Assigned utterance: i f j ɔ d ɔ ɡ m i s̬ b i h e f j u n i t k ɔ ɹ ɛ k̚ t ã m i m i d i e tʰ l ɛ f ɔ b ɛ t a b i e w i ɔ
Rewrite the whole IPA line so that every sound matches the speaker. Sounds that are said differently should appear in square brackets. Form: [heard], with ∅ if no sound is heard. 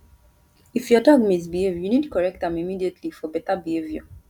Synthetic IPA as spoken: i f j ɔ d ɔ ɡ m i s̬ b i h e [v] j u n i [d] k ɔ ɹ ɛ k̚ t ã m i m i d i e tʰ l [i] f ɔ b ɛ t a b i e [v] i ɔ